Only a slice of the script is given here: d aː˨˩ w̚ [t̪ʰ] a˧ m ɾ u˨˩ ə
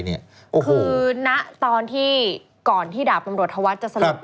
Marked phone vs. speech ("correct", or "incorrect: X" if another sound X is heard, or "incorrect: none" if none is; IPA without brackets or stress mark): incorrect: t̪